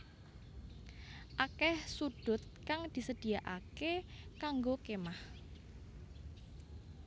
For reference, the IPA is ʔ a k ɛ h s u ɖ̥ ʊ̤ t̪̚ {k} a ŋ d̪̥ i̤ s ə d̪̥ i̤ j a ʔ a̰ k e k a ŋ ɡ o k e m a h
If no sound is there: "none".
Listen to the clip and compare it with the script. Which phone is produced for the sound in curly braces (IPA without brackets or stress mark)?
k